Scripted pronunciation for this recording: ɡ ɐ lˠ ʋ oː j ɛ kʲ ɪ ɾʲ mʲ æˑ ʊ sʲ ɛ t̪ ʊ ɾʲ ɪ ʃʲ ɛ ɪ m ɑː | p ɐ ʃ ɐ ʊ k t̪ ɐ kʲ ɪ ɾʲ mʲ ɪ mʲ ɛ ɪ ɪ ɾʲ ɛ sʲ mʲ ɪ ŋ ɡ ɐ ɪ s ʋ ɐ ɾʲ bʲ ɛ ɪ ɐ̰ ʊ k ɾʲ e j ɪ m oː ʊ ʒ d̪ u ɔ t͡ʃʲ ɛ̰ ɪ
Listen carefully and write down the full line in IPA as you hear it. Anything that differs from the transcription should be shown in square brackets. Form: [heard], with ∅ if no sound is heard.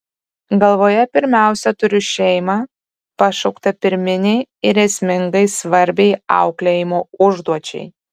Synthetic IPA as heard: ɡ ɐ lˠ ʋ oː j ɛ [pʲ] ɪ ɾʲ mʲ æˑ ʊ sʲ ɛ t̪ ʊ ɾʲ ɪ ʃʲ ɛ ɪ m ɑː | p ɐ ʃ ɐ ʊ k t̪ ɐ [pʲ] ɪ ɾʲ mʲ ɪ [nʲ] ɛ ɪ ɪ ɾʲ ɛ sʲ mʲ ɪ ŋ ɡ ɐ ɪ s ʋ ɐ ɾʲ bʲ ɛ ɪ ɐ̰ ʊ k [lʲ] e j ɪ m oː ʊ ʒ d̪ u ɔ t͡ʃʲ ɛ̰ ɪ